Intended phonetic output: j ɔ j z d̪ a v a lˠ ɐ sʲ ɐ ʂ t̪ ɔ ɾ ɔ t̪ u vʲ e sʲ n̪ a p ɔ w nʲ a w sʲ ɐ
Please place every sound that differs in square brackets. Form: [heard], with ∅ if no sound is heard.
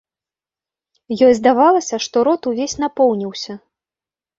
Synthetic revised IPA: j ɔ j z d̪ a v a lˠ ɐ sʲ ɐ ʂ t̪ ɔ ɾ ɔ t̪ u vʲ e sʲ n̪ a p ɔ w nʲ [i] w sʲ ɐ